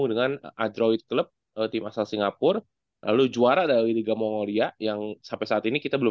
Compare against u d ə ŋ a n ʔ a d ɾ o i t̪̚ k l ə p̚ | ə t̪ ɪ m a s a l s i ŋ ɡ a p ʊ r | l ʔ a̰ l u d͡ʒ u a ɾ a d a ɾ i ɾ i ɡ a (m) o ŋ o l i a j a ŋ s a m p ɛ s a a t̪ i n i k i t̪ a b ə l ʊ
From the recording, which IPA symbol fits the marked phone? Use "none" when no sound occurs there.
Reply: m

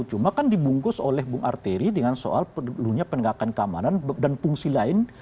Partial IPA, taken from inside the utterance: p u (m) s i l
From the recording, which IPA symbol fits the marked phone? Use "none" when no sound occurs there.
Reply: ŋ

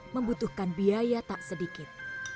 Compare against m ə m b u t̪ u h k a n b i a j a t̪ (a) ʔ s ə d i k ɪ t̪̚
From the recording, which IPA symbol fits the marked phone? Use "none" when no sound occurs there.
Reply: a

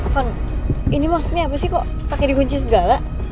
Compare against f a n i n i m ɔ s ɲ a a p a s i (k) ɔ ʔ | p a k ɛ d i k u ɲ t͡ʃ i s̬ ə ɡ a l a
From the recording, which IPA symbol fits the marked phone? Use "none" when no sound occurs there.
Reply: k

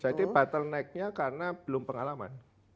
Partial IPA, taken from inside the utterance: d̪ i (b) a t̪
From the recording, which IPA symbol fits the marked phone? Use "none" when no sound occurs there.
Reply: b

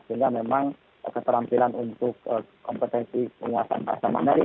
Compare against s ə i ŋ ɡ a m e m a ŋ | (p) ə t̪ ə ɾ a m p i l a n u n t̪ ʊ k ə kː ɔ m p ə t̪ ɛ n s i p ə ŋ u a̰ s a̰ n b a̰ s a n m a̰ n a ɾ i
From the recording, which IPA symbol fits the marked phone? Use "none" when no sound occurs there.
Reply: k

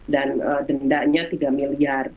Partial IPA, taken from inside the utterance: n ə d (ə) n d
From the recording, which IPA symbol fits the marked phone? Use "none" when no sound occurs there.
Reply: ə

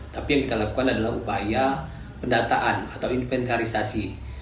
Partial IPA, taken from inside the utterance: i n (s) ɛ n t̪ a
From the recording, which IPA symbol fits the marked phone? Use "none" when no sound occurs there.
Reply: f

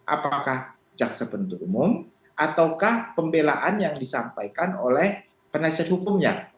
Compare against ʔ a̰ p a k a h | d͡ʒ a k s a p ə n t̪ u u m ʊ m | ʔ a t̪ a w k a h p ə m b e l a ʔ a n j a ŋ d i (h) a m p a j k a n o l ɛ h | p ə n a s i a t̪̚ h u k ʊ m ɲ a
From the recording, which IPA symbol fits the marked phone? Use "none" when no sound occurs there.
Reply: s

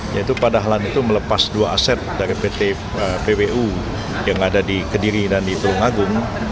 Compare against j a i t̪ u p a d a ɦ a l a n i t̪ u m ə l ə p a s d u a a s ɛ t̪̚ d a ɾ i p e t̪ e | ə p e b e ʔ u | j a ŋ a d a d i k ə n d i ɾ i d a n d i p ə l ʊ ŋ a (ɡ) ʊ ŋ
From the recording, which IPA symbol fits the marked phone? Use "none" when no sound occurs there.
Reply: ɡ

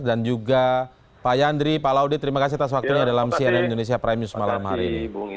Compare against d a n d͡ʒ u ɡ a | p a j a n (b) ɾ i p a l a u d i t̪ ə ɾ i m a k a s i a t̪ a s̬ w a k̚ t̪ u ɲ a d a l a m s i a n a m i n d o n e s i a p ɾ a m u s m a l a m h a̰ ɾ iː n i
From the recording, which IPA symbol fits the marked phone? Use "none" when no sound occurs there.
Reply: d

